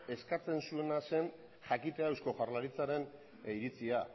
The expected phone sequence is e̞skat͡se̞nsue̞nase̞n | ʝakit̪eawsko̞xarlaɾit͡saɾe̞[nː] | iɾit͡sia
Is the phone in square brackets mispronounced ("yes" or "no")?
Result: yes